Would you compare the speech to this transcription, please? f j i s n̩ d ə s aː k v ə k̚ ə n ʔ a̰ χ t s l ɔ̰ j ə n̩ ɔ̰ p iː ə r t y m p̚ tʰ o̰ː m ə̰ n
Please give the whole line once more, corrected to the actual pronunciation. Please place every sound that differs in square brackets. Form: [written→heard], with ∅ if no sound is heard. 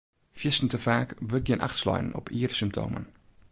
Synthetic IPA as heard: f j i s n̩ [d→t] ə [s→f] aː k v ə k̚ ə n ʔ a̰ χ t s l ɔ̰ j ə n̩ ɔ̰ p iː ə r [t→s] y m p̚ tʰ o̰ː m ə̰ n